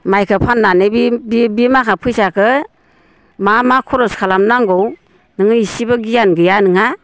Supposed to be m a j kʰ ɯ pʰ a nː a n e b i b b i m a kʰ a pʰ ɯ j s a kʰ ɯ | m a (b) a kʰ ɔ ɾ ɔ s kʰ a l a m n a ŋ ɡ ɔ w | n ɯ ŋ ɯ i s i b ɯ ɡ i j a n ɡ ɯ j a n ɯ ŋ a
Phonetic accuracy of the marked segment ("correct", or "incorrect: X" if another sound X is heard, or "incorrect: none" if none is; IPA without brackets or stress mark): incorrect: m